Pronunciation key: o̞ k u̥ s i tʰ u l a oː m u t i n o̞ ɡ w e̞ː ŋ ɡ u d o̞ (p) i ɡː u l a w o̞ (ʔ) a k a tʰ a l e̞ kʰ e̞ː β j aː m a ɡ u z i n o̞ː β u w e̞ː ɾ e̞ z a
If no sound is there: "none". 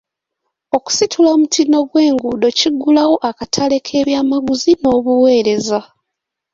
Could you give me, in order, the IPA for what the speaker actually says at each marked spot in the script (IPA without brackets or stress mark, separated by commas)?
c, ʔ